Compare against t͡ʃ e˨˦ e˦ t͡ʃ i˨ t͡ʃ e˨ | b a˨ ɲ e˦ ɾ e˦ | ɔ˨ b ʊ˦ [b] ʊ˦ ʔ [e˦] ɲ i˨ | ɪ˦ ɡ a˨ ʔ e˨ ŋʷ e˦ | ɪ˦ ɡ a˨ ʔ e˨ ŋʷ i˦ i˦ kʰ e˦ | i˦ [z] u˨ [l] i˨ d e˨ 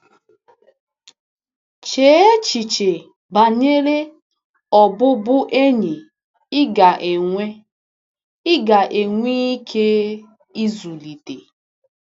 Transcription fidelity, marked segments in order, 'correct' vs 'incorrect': correct, correct, correct, correct

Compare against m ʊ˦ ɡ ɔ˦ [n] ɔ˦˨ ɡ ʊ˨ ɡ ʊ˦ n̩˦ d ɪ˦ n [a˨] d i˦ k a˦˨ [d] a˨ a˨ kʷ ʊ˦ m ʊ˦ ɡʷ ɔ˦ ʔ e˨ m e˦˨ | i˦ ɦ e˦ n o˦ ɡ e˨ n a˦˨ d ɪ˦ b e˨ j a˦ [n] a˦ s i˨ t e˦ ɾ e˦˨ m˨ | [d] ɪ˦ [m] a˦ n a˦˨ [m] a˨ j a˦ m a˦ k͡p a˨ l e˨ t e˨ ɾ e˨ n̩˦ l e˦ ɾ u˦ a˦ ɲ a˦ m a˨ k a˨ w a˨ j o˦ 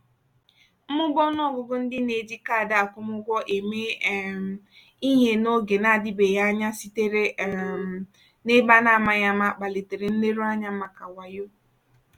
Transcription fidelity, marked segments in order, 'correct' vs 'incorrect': correct, incorrect, correct, incorrect, incorrect, incorrect, correct

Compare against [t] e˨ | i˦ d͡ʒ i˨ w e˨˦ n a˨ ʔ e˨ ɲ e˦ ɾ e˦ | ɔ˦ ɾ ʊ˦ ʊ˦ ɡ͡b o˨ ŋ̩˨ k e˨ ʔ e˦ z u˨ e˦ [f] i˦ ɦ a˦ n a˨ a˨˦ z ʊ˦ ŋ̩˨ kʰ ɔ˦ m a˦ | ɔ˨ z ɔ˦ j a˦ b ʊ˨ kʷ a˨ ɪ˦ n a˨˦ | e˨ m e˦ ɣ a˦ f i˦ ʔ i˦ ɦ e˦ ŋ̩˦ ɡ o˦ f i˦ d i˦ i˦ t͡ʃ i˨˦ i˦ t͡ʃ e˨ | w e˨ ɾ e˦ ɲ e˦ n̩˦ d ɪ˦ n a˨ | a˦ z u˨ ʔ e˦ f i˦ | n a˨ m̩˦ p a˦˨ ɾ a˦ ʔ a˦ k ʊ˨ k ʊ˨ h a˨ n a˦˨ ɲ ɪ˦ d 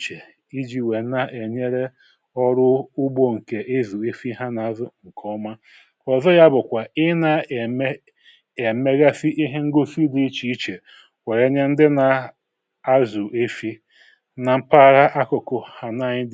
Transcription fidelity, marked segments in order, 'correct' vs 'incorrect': incorrect, correct

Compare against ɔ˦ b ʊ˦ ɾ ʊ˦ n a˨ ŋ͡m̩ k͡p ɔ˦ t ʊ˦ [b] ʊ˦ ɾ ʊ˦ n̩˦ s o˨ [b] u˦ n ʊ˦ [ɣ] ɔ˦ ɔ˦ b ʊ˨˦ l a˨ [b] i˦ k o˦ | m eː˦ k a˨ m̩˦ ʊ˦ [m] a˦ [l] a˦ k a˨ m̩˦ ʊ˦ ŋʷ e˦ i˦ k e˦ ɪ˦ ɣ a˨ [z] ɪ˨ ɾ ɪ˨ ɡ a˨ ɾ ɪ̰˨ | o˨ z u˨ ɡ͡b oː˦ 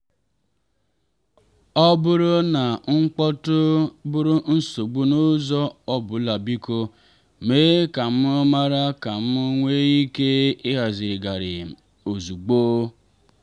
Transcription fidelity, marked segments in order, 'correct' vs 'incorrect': correct, incorrect, incorrect, correct, correct, incorrect, correct

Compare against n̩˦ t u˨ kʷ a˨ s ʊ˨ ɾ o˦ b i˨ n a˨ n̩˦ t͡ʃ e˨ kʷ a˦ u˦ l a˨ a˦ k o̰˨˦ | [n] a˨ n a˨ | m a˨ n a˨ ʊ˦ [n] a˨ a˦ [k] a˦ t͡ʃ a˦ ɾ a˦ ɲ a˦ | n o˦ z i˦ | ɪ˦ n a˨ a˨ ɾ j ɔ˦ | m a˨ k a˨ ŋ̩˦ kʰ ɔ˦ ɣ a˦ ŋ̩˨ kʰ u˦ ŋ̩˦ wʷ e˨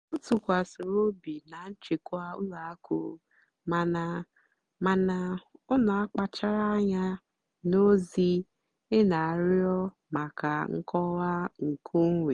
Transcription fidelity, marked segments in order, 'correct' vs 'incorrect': incorrect, correct, incorrect

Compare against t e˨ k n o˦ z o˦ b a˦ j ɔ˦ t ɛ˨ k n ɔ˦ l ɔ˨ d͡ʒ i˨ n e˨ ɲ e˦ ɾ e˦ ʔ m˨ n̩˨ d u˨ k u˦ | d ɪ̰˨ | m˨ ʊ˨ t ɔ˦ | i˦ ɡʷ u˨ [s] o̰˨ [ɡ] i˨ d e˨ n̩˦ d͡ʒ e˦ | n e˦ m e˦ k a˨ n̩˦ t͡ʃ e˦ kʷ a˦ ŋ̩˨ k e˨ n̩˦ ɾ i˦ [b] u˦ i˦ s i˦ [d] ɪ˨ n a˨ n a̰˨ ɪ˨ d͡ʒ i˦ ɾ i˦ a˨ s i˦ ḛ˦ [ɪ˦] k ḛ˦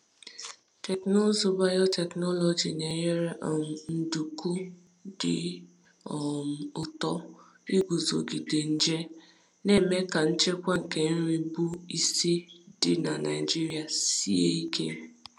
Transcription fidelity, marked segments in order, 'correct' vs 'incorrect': incorrect, correct, correct, correct, incorrect

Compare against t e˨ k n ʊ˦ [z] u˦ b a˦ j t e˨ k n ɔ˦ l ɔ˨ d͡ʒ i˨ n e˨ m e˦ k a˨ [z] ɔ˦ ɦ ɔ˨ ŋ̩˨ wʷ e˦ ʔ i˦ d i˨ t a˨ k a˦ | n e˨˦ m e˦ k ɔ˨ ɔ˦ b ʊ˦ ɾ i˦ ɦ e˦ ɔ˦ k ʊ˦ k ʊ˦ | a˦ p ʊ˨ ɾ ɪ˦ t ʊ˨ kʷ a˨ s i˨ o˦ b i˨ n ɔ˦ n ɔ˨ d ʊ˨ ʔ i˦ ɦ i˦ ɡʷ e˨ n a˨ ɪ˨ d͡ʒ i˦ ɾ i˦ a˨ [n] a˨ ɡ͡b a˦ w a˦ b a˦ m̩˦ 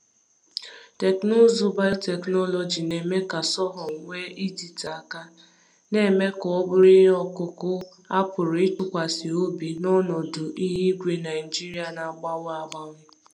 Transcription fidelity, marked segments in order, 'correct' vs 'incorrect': correct, incorrect, correct

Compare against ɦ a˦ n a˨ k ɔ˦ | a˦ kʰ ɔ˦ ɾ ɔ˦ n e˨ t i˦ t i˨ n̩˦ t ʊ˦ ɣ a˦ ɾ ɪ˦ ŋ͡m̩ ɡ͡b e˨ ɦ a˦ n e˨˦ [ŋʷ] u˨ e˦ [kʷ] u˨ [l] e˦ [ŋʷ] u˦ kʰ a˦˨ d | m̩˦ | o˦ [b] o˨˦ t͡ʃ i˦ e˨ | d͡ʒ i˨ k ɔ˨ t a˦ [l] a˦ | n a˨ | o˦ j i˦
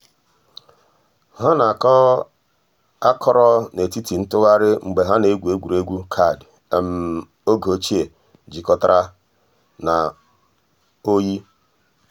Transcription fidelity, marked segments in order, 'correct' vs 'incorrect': incorrect, incorrect, incorrect, incorrect, incorrect, incorrect

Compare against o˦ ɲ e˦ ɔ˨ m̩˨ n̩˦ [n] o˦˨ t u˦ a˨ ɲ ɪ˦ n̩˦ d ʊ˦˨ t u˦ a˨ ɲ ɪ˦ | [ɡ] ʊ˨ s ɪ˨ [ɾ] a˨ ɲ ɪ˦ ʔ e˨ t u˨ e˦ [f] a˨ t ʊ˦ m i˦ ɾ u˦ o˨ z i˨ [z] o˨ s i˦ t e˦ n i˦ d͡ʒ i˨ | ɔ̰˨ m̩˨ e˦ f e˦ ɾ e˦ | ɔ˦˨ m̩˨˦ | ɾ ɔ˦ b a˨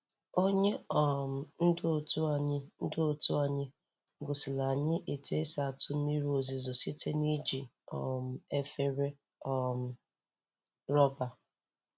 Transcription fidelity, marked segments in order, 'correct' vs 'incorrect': incorrect, correct, incorrect, incorrect, correct

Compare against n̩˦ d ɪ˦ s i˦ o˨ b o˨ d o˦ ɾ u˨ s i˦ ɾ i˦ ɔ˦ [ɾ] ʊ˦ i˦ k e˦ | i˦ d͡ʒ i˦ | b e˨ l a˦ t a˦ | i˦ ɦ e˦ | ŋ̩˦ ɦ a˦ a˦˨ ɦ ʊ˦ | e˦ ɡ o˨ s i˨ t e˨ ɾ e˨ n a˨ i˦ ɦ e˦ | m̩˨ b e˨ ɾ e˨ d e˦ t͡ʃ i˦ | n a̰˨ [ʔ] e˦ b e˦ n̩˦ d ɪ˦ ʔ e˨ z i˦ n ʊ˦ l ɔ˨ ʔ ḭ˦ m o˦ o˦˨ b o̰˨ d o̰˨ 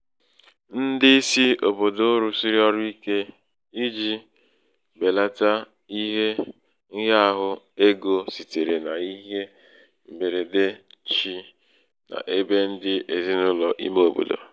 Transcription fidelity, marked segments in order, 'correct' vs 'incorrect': correct, correct

